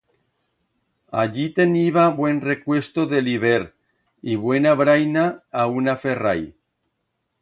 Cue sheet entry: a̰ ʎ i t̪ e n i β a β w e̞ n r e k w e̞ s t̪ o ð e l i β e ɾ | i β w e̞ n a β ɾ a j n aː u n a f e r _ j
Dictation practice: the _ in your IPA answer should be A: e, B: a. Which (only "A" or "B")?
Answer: B